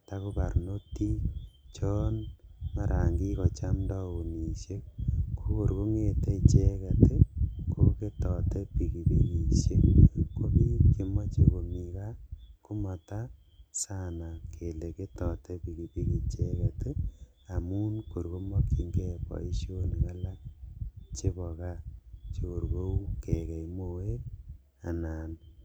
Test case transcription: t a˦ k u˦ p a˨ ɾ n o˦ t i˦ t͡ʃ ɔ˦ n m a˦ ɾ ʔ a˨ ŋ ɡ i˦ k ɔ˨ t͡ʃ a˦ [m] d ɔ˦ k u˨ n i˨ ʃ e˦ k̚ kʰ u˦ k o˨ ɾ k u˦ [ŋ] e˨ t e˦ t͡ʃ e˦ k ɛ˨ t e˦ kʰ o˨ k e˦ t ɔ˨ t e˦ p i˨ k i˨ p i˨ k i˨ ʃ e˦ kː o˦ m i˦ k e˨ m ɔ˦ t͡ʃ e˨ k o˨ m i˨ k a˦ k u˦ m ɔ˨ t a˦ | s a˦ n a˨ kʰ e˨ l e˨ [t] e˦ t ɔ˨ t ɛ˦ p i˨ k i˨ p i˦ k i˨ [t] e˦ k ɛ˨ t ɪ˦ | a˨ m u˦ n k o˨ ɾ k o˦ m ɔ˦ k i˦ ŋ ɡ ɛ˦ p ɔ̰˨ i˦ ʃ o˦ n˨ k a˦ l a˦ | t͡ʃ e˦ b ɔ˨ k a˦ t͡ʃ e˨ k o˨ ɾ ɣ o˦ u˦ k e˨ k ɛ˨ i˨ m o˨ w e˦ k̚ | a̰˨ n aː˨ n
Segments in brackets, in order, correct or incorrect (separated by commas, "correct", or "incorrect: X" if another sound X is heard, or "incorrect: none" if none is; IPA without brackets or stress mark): correct, correct, incorrect: k, incorrect: t͡ʃ